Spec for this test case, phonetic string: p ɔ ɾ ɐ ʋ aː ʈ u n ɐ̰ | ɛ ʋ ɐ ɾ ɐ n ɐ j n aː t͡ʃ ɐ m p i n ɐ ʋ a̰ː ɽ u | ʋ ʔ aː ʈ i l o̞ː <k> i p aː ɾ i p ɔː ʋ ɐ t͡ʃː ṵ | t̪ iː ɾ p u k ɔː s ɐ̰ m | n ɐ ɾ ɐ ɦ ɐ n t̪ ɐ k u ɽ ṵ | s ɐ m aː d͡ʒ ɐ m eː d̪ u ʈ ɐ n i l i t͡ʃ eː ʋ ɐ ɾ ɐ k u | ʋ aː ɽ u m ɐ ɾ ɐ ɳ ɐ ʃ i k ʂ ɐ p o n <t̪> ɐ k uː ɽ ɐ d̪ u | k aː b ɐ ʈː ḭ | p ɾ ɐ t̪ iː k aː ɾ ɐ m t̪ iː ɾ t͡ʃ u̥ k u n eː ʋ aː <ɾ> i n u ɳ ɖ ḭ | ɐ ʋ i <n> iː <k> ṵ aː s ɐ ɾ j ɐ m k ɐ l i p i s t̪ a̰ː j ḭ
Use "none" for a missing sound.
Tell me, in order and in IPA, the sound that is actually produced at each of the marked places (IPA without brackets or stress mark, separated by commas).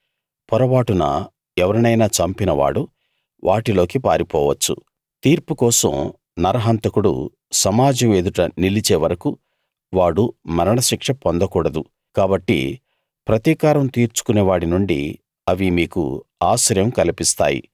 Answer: k, d̪, ɽ, m, k